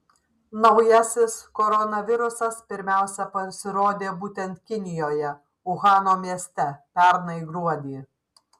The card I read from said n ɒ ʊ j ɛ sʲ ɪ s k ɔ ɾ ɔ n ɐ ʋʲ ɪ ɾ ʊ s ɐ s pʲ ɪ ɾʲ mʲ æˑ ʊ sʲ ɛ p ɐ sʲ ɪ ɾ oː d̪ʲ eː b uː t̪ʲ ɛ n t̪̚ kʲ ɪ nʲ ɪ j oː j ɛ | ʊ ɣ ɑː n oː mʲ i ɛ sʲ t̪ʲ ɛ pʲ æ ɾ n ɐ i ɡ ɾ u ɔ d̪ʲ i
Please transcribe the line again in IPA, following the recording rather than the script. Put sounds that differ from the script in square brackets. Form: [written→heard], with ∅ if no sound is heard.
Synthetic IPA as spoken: n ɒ ʊ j ɛ sʲ ɪ s k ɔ ɾ ɔ n ɐ ʋʲ ɪ ɾ ʊ s ɐ s pʲ ɪ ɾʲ mʲ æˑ ʊ sʲ ɛ p ɐ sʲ ɪ ɾ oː d̪ʲ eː b uː t̪ʲ ɛ n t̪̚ kʲ ɪ nʲ ɪ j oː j ɛ | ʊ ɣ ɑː n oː mʲ i ɛ sʲ t̪ʲ ɛ pʲ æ ɾ n ɐ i ɡ ɾ u ɔ d̪ʲ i